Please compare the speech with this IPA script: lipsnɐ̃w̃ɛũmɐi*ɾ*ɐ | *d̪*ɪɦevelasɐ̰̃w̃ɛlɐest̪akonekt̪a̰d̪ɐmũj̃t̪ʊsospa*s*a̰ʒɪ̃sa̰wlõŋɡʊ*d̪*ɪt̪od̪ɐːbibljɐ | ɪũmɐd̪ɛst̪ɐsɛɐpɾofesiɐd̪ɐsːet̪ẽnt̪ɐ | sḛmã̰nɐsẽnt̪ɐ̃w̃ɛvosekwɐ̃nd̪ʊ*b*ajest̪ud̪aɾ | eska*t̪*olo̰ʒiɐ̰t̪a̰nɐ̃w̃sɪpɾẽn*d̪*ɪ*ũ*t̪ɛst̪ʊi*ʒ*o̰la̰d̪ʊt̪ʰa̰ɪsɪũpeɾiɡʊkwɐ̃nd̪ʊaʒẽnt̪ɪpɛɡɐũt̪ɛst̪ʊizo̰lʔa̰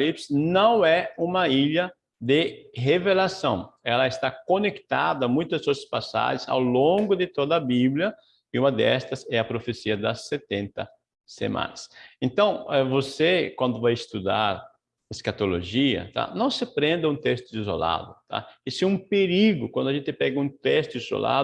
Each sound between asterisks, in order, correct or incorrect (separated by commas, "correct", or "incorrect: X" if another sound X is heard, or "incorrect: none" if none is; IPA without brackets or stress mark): incorrect: ʎ, correct, correct, correct, incorrect: v, correct, correct, correct, incorrect: z